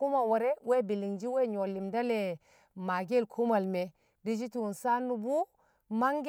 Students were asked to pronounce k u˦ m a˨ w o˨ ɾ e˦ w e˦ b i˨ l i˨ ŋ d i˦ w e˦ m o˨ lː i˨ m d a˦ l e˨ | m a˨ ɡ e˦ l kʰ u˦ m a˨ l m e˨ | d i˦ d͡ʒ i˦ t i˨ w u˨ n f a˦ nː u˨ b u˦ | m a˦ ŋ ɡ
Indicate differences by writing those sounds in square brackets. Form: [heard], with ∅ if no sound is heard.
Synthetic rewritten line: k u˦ m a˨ w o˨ ɾ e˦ w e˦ b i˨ l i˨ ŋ [d͡ʒ] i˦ w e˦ [ɲ] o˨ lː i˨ m d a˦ l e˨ | m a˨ ɡ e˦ l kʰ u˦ m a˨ l m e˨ | d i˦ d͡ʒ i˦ t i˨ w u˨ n [s] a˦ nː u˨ b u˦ | m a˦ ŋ ɡ

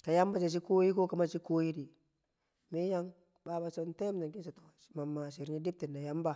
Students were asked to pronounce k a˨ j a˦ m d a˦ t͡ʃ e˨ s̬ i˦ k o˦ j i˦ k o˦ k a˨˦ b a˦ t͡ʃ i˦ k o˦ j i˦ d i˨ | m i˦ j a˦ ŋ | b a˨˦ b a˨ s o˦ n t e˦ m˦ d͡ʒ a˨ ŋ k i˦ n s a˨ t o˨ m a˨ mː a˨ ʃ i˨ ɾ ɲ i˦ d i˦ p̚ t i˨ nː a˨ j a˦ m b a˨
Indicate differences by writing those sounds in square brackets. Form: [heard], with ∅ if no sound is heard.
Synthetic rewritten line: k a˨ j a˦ m [b] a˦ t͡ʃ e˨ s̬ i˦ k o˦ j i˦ k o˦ k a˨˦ [m] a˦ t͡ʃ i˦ k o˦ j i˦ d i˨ | m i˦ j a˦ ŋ | b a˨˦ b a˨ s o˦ n t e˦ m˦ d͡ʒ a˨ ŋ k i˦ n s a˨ t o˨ m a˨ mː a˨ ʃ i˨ ɾ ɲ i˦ d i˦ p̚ t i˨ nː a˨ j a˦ m b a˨

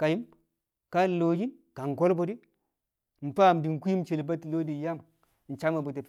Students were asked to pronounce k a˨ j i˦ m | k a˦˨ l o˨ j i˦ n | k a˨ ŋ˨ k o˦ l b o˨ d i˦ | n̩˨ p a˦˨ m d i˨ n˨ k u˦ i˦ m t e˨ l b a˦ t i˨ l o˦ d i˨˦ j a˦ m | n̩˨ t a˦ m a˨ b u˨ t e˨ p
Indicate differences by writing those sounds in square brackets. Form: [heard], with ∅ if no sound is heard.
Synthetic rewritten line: k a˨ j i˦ m | k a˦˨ l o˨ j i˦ n | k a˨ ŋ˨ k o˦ l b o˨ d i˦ | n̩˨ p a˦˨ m d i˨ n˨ k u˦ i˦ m [t͡ʃ] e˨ l b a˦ t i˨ l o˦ d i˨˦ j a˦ m | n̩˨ [t͡ʃ] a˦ m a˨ b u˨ t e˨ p

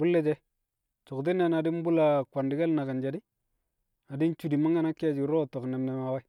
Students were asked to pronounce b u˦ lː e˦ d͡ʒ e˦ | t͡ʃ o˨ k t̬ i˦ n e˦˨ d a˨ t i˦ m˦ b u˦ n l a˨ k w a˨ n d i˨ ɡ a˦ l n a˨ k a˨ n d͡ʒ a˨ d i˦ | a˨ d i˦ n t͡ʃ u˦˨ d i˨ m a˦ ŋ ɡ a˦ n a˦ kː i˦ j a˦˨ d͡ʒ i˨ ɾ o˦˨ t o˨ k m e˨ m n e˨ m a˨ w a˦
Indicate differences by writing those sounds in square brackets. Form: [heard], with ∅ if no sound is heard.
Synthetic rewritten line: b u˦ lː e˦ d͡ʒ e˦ | t͡ʃ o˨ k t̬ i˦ n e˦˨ [n] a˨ [d] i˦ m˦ b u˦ [∅] l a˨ k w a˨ n d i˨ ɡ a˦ l n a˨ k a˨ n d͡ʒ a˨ d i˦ | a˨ d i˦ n t͡ʃ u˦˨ d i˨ m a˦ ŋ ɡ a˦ n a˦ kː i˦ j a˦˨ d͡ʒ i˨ ɾ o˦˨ t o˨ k [n] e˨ m n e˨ m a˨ w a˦

